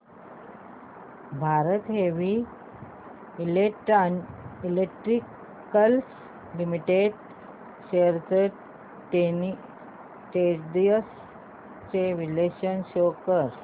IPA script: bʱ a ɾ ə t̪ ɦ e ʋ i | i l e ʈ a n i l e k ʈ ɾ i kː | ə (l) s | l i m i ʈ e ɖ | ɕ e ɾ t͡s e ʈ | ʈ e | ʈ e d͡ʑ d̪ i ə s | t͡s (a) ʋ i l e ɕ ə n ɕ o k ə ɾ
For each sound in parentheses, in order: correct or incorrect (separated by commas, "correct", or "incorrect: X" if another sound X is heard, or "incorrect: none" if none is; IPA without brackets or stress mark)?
correct, incorrect: e